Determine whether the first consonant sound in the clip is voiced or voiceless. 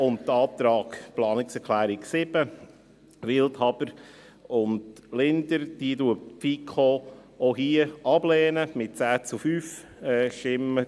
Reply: voiced